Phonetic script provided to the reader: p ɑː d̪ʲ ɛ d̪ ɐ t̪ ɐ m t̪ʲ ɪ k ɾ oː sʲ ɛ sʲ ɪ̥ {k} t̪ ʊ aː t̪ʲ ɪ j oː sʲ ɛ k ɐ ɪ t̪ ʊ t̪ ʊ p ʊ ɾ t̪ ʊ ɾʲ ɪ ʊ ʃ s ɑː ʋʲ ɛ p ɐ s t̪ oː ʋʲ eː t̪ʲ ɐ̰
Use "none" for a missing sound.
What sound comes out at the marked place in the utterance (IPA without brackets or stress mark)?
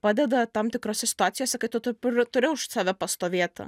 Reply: none